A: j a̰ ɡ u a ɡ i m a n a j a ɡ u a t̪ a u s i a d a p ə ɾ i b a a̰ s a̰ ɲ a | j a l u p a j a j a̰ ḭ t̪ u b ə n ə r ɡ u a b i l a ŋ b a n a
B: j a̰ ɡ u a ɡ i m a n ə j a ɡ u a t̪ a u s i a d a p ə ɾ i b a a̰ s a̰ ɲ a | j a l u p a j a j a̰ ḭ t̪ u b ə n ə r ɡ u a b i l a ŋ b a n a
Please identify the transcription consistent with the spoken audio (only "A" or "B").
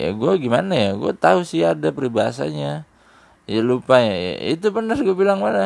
A